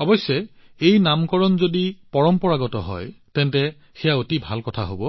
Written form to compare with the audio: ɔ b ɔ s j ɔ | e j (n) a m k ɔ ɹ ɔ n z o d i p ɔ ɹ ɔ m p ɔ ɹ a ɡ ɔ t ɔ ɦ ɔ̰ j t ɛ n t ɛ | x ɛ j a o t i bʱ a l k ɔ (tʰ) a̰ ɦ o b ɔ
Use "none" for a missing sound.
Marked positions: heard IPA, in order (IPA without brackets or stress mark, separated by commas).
n, tʰ